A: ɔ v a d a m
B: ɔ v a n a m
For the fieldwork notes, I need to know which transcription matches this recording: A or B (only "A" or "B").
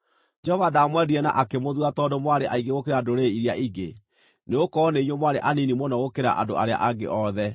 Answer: A